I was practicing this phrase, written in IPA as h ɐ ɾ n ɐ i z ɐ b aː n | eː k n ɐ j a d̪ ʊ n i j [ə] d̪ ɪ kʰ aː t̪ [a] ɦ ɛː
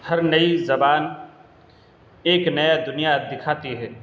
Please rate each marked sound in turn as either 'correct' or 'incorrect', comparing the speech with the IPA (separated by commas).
incorrect, incorrect